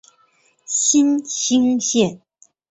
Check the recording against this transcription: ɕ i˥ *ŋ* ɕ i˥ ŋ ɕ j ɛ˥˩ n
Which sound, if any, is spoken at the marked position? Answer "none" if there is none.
n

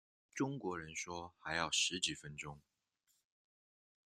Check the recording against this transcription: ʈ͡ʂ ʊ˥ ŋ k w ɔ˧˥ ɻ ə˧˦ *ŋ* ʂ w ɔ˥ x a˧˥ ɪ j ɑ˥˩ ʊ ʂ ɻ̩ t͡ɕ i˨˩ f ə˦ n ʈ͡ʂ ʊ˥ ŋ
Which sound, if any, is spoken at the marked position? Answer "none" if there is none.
n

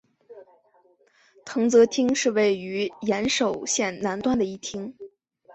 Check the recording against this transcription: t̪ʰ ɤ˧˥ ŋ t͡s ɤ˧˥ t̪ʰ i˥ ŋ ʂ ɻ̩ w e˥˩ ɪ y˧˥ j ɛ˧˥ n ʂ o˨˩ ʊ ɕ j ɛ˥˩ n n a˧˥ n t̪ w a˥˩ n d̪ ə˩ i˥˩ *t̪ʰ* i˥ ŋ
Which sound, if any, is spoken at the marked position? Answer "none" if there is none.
t̪ʰ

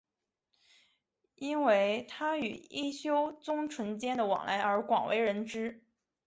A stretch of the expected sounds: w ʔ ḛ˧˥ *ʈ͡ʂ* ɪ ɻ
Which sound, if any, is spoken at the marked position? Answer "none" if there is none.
none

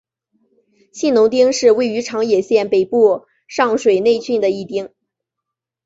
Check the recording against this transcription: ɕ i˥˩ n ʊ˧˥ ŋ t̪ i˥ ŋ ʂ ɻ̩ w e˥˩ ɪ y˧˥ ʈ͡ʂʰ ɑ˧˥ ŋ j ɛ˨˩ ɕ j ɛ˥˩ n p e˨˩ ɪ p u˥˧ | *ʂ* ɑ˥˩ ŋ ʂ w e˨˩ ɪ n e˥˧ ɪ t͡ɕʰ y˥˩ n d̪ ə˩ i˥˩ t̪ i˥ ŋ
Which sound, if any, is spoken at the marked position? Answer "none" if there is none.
ʂ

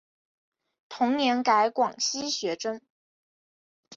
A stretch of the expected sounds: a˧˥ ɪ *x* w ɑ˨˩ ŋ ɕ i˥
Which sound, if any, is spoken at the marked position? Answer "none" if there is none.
k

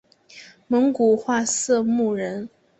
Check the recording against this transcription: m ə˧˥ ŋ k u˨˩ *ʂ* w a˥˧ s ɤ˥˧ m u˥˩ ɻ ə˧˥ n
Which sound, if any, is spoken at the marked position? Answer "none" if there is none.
x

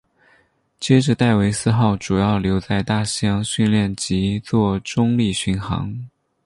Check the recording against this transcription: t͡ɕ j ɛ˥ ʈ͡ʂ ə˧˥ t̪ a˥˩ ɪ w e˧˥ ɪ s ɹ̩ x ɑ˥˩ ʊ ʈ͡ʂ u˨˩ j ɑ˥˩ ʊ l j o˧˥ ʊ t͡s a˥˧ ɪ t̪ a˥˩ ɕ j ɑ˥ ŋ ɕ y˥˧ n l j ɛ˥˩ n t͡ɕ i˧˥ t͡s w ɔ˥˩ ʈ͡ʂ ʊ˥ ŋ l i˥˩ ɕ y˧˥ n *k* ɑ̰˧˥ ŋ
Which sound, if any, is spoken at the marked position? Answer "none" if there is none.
x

